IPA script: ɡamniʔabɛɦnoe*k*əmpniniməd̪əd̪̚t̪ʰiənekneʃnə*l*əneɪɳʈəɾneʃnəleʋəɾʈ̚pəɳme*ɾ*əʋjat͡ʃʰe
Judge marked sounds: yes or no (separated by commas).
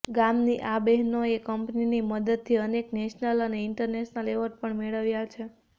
yes, yes, no